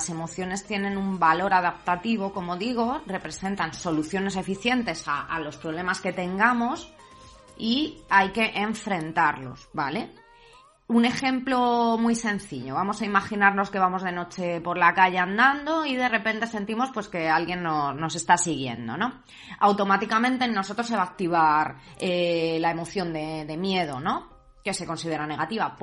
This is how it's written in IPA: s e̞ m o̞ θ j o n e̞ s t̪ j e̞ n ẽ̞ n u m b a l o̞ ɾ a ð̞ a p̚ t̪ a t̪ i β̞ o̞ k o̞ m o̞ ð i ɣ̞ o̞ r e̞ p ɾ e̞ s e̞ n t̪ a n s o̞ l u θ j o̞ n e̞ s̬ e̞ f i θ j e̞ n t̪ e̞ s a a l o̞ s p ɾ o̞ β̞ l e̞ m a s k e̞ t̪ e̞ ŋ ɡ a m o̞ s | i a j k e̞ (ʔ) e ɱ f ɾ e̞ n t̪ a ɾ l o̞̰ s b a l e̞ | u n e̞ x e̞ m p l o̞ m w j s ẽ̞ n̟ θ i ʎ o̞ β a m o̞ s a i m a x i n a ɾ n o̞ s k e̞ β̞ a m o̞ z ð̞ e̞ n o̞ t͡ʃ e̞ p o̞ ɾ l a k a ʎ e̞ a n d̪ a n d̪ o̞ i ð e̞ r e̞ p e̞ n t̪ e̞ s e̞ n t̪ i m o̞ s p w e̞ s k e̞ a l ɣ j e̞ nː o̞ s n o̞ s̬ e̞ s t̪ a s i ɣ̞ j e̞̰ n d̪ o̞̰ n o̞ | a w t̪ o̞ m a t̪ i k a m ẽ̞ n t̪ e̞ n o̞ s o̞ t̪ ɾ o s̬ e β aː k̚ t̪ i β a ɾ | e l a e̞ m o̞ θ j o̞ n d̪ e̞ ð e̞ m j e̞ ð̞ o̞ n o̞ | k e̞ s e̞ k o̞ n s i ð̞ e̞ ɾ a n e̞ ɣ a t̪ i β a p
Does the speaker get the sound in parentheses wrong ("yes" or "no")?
no